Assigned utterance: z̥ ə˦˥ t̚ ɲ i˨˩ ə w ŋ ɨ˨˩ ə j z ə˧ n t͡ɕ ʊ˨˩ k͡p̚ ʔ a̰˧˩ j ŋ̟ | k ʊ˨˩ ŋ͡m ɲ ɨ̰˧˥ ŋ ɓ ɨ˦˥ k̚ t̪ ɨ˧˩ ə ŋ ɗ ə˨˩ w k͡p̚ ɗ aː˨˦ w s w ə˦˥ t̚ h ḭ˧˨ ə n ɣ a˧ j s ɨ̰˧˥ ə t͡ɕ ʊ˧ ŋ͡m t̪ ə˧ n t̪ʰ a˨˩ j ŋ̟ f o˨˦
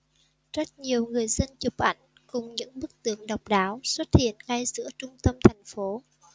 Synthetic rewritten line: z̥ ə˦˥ t̚ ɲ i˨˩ ə w ŋ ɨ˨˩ ə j z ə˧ n t͡ɕ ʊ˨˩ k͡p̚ ʔ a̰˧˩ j ŋ̟ | k ʊ˨˩ ŋ͡m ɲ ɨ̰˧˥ ŋ ɓ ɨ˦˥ k̚ t̪ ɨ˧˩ ə ŋ ɗ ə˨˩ w k͡p̚ ɗ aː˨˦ w s w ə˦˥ t̚ h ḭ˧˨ ə n ɣ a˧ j z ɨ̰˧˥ ə t͡ɕ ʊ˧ ŋ͡m t̪ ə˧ m t̪ʰ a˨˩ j ŋ̟ f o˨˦